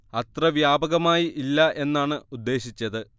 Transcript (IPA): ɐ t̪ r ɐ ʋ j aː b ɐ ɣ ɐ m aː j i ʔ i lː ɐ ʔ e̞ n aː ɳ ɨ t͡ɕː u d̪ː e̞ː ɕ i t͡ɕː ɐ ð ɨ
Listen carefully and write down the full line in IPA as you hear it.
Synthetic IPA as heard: ɐ t̪ r ɐ ʋ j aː b ɐ ɣ ɐ m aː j i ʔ i lː ɐ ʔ e̞ nː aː ɳ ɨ u d̪ː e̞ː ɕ i t͡ɕː ɐ ð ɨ